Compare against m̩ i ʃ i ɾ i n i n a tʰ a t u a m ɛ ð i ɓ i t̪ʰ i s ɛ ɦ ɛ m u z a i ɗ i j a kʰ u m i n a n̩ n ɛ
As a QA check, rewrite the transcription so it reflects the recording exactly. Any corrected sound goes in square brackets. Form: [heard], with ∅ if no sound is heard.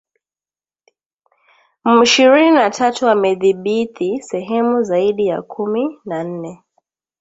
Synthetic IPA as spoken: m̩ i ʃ i ɾ i n i n a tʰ a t u a m ɛ ð i ɓ i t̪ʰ i s ɛ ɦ ɛ m u z a i ɗ i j a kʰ u m i n a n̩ n ɛ